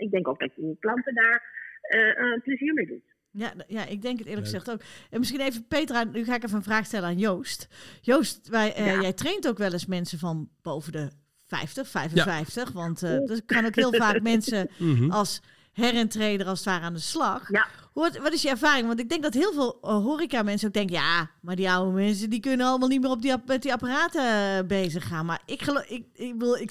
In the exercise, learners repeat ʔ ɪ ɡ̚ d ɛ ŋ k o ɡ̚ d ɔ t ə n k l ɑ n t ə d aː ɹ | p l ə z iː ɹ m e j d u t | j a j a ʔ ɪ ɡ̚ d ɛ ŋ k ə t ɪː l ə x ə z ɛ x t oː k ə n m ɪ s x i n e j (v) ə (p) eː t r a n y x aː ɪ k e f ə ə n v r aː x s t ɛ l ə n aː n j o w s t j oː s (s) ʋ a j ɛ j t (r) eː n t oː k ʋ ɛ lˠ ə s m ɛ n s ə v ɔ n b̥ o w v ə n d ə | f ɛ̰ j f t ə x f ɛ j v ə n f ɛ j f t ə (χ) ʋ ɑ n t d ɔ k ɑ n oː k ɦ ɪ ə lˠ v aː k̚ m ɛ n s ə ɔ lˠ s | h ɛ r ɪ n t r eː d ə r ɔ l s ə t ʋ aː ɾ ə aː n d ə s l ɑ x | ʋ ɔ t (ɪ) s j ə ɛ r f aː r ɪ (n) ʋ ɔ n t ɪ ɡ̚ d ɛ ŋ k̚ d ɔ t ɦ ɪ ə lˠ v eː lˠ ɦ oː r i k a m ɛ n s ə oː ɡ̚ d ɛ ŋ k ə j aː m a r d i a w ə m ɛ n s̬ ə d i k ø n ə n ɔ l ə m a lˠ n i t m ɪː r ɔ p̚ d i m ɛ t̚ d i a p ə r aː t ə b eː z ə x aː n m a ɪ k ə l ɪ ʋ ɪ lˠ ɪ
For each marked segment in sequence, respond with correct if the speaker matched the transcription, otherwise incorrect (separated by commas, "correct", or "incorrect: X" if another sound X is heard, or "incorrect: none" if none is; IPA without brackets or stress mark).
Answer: correct, correct, incorrect: t, correct, incorrect: x, correct, incorrect: ŋ